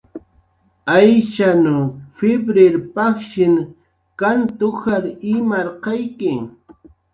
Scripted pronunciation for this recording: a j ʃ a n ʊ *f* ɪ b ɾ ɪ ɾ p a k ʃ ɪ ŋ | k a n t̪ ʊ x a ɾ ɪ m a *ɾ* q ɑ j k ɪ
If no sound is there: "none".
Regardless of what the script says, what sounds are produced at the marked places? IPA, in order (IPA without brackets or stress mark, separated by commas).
f, ɾ